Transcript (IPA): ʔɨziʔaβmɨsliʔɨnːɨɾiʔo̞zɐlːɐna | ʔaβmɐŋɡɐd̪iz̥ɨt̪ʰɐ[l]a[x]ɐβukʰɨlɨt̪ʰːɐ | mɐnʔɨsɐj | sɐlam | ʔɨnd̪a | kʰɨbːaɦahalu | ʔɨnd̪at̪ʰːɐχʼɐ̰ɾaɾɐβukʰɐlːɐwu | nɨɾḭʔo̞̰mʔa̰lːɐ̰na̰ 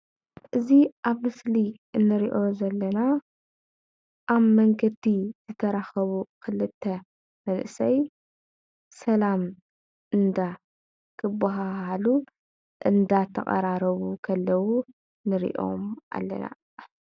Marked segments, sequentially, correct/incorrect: incorrect: ɾ, correct

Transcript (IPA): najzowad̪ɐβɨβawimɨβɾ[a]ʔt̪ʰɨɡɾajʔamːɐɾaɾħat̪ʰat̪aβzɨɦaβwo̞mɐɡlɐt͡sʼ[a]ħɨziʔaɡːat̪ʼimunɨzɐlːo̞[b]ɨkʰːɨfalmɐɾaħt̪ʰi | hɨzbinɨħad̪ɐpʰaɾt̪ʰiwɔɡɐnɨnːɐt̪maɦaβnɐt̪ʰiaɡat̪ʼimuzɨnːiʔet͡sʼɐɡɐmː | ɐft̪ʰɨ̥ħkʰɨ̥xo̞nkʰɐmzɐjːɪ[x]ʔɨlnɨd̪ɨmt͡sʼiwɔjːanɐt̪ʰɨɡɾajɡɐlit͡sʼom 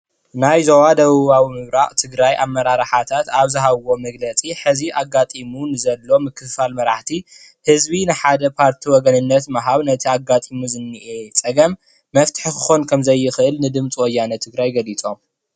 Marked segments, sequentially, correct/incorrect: correct, incorrect: i, incorrect: m, correct

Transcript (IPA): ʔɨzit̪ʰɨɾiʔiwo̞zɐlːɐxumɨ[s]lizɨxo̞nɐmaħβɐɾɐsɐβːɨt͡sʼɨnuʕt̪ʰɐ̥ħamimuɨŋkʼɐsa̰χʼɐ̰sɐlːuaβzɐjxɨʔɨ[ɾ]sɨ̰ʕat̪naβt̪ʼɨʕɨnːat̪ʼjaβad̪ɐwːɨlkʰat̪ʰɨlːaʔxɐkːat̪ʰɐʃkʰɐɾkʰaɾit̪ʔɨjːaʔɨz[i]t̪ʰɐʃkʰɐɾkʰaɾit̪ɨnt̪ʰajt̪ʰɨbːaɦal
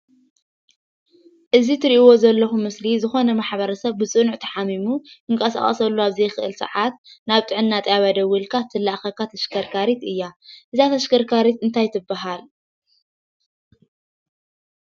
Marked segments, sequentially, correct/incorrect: correct, incorrect: l, incorrect: a

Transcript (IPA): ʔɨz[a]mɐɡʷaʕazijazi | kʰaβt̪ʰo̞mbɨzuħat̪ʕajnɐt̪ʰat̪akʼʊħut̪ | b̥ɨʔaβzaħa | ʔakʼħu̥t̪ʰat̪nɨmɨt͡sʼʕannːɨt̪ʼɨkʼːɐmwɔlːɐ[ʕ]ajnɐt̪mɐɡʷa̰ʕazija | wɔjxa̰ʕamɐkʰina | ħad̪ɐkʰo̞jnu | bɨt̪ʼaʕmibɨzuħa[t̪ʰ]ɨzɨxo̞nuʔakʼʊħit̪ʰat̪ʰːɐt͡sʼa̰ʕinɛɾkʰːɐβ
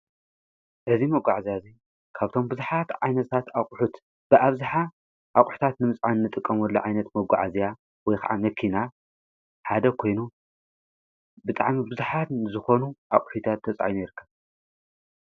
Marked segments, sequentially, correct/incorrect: incorrect: i, correct, incorrect: t̪

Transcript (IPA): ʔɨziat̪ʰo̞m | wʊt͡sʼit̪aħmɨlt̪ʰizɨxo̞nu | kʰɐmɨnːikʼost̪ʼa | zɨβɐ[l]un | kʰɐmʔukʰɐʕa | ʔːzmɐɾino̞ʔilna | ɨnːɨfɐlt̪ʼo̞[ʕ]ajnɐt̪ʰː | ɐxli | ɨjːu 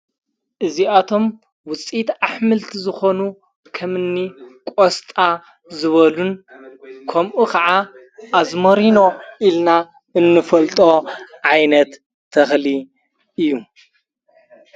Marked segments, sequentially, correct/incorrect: correct, correct

